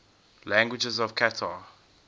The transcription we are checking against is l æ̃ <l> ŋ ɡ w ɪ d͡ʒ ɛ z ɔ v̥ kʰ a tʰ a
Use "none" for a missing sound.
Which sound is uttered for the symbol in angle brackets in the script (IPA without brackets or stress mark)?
none